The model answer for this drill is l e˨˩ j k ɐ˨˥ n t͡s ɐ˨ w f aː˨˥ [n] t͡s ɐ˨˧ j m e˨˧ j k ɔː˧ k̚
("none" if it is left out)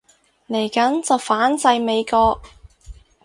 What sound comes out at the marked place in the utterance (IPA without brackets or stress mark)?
n